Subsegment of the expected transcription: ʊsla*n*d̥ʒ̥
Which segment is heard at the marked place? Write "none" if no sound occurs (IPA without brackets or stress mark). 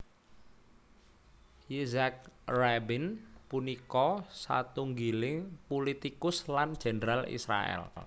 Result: n